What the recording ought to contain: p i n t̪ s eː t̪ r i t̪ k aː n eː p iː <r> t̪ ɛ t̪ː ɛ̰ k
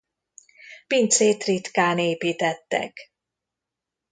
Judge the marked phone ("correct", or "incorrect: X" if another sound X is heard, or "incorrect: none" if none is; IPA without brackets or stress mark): incorrect: none